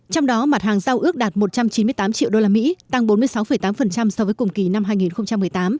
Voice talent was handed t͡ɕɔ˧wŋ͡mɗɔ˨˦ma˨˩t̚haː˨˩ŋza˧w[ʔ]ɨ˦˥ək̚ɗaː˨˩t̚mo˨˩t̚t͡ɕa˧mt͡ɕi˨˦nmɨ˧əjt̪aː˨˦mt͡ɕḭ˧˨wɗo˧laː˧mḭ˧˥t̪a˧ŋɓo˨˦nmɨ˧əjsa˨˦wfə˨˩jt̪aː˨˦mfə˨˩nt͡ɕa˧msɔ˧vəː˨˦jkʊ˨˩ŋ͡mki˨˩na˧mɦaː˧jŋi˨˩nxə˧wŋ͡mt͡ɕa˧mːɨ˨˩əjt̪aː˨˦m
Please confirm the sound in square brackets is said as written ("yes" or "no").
yes